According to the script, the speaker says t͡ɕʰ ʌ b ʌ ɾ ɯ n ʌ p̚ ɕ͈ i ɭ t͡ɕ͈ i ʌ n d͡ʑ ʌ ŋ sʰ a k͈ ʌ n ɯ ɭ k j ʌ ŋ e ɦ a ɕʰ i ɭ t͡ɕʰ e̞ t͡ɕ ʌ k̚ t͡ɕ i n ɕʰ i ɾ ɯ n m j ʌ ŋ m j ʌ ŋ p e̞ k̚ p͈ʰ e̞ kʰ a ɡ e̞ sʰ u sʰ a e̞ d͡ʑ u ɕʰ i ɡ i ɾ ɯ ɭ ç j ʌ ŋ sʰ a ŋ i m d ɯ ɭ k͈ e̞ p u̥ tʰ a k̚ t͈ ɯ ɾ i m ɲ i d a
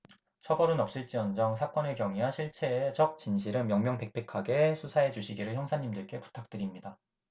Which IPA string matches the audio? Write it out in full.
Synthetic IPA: t͡ɕʰ ʌ b ʌ ɾ ɯ n ʌ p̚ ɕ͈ i ɭ t͡ɕ͈ i ʌ n d͡ʑ ʌ ŋ sʰ a k͈ ʌ n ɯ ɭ k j ʌ ŋ i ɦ a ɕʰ i ɭ t͡ɕʰ e̞ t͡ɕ ʌ k̚ t͡ɕ i n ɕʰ i ɾ ɯ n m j ʌ ŋ m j ʌ ŋ p e̞ k̚ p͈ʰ e̞ kʰ a ɡ e̞ sʰ u sʰ a e̞ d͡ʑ u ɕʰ i ɡ i ɾ ɯ ɭ ç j ʌ ŋ sʰ a ɲ i m d ɯ ɭ k͈ e̞ p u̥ tʰ a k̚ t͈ ɯ ɾ i m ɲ i d a